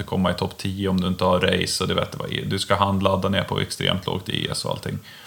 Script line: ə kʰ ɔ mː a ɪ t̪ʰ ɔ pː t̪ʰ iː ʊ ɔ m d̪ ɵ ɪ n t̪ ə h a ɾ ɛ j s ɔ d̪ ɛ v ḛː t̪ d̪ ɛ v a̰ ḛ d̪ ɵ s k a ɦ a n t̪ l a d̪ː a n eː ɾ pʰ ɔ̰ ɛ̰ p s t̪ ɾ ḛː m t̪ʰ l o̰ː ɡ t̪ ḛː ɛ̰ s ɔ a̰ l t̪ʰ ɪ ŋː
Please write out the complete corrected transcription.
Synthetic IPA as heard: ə kʰ ɔ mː a ɪ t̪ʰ ɔ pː t̪ʰ iː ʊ ɔ m d̪ ɵ ɪ n t̪ ə h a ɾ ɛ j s ɔ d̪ ɛ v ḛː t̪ d̪ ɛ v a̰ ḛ d̪ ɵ s k a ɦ a n d̪ l a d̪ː a n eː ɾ pʰ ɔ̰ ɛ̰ k s t̪ ɾ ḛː m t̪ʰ l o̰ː ɡ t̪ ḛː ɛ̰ s ɔ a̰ l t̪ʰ ɪ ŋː